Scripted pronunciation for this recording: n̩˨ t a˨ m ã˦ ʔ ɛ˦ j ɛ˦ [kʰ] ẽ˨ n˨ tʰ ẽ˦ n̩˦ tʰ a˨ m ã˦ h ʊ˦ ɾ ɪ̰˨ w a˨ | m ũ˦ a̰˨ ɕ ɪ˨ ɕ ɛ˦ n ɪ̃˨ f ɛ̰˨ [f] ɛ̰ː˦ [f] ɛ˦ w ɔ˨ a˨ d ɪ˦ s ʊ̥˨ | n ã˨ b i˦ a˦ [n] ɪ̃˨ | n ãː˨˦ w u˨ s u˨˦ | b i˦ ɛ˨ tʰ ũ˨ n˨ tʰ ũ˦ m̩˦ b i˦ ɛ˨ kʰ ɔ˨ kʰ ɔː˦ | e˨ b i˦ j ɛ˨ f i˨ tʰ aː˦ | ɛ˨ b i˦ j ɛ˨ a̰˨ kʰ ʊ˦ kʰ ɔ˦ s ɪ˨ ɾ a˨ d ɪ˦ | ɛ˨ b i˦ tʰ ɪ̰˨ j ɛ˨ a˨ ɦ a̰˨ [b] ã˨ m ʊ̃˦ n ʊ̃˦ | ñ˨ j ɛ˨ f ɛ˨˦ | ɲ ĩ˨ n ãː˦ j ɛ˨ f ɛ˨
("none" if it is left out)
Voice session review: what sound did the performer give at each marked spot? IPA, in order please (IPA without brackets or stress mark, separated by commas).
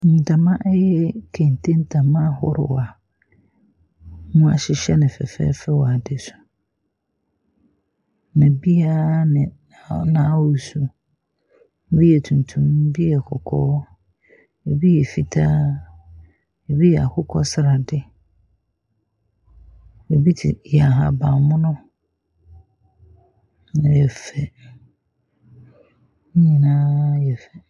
kʰ, f, f, n, b